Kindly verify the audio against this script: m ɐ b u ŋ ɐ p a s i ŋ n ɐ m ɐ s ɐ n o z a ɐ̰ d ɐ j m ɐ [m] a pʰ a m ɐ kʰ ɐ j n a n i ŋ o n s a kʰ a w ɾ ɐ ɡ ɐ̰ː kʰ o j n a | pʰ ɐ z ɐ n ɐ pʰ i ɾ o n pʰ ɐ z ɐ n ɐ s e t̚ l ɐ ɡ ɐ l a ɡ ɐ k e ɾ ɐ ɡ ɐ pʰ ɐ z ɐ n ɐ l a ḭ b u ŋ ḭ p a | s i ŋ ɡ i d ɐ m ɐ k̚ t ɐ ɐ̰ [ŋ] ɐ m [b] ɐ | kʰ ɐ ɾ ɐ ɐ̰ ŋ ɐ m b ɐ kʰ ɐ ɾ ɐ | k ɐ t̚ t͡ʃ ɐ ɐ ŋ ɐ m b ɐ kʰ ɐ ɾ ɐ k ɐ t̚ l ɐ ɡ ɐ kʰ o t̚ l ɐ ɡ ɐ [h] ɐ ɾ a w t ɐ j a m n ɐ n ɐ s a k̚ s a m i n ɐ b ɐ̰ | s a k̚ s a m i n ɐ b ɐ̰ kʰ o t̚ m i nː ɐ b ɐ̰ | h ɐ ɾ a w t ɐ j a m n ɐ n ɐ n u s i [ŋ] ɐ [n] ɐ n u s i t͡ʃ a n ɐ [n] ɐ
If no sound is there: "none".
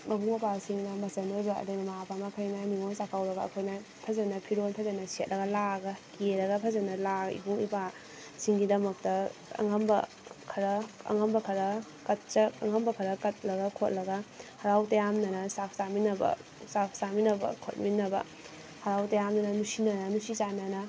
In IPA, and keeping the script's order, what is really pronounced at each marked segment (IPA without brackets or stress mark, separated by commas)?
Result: m, ŋ, b, h, n, n, n